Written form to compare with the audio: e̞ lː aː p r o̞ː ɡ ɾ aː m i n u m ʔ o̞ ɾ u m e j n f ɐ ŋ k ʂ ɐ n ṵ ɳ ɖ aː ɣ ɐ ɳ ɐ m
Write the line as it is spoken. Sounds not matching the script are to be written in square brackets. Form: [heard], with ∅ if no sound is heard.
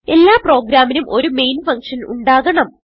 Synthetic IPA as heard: e̞ lː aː p r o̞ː ɡ ɾ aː m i n u m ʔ o̞ ɾ u m e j n f ɐ ŋ k ʂ ɐ n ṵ ɳ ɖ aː ɣ ɐ ɳ ɐ m